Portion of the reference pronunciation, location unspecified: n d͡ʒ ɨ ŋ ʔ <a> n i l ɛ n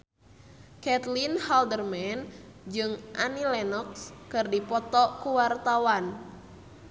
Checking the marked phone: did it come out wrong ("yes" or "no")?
no